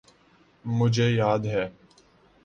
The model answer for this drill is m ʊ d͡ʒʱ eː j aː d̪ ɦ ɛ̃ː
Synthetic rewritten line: m ʊ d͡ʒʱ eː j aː d̪ ɦ ɛː